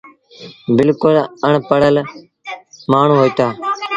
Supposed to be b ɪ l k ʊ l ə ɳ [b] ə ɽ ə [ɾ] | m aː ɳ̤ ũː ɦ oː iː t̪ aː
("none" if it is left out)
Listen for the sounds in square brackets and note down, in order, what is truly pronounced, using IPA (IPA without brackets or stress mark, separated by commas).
p, l